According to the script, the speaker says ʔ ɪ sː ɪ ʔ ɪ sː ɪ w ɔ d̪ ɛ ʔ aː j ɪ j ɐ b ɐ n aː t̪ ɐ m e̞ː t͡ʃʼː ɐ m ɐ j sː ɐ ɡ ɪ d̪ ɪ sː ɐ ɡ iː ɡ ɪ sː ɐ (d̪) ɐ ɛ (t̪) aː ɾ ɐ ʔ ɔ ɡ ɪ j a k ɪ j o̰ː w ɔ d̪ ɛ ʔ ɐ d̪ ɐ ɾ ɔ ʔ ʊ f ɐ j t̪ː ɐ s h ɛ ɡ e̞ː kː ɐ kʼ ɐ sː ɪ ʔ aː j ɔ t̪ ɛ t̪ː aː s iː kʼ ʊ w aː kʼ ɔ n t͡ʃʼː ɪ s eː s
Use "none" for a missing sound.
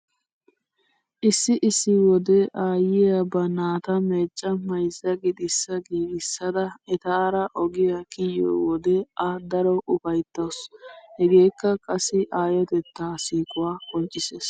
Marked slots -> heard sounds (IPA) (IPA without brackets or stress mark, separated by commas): d̪, t̪